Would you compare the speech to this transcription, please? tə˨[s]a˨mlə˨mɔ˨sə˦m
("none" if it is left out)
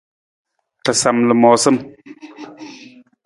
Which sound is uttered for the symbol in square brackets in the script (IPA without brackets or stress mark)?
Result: s